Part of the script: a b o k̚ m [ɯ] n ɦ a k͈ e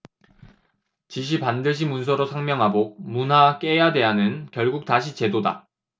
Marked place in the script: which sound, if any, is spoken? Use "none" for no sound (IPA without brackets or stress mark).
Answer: u